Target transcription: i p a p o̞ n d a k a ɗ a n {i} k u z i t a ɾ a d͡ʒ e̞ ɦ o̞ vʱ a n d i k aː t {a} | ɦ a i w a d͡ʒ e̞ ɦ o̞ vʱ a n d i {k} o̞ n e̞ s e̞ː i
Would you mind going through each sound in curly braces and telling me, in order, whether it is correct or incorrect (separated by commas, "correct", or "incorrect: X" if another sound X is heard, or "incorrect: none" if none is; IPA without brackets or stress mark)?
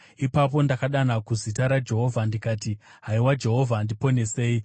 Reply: incorrect: a, incorrect: i, incorrect: p